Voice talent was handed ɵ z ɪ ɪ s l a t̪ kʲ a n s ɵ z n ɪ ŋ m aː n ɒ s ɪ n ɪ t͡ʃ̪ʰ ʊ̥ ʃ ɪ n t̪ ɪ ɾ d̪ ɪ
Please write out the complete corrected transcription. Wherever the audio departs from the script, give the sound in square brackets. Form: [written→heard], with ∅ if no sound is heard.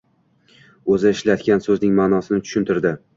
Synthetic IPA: ɵ z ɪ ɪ [s→ʃ] l a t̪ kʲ a n s ɵ z n ɪ ŋ m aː n ɒ s ɪ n ɪ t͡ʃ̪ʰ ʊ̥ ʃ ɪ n t̪ ɪ ɾ d̪ ɪ